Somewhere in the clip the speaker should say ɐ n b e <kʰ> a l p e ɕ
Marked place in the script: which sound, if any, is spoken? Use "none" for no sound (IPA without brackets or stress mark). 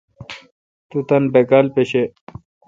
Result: k